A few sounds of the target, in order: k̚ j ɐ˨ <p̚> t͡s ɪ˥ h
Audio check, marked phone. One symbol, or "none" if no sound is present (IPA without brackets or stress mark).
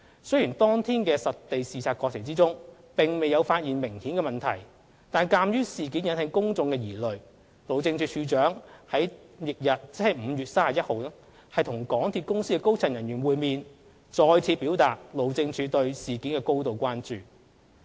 t̚